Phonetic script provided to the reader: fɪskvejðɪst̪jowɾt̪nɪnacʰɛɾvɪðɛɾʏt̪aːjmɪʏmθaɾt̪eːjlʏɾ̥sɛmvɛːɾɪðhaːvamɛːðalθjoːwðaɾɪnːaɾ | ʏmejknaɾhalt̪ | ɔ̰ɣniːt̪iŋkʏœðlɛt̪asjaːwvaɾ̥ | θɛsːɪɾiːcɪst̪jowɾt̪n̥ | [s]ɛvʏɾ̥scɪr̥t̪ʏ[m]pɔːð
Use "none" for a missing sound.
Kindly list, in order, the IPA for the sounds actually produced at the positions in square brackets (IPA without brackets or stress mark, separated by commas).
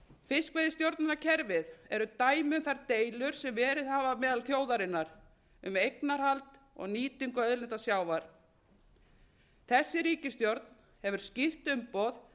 h, m